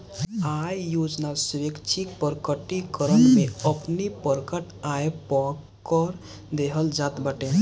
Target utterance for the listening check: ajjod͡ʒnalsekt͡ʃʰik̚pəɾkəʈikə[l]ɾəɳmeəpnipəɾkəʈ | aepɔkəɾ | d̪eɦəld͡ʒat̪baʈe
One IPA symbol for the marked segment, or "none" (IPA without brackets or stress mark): none